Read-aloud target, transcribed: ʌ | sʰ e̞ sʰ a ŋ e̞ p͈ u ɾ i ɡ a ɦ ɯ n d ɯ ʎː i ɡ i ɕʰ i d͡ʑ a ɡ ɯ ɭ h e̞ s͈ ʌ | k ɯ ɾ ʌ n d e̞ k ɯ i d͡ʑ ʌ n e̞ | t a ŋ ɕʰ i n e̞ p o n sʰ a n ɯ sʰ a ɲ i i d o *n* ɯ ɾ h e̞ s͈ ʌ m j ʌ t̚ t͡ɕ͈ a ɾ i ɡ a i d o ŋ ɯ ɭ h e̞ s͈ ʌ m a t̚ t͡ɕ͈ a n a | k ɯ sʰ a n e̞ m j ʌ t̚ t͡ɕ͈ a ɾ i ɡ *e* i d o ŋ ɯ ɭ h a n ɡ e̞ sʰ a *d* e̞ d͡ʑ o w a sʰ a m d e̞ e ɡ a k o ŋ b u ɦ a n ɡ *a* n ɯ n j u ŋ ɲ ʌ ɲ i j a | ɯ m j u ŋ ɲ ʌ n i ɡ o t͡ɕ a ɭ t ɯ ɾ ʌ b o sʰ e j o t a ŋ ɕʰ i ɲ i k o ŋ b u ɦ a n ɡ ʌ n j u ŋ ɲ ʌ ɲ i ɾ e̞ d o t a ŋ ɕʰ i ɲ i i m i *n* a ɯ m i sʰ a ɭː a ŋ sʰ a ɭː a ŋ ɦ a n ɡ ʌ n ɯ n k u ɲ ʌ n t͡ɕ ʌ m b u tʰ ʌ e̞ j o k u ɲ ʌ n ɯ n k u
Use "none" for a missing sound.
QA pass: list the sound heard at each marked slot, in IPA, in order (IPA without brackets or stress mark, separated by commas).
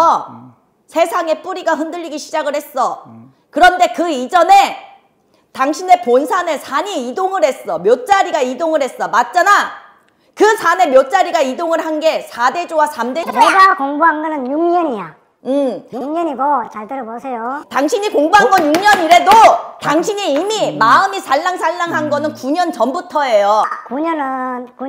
ŋ, a, d, ʌ, m